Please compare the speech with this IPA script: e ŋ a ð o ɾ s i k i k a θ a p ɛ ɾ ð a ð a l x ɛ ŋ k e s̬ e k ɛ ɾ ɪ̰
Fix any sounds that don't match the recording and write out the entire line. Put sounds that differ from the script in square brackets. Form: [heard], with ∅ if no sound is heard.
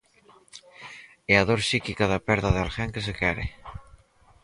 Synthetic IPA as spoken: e [∅] a ð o ɾ s i k i k a [ð] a p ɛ ɾ ð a ð a l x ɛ ŋ k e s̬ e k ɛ ɾ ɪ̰